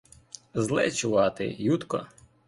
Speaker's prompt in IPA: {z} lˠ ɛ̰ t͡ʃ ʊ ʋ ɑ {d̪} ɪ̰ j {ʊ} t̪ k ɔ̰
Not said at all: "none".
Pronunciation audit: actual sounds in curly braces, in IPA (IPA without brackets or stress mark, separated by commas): z, t̪, u